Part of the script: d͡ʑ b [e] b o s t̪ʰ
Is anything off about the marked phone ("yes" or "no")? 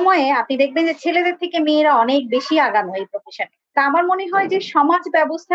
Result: yes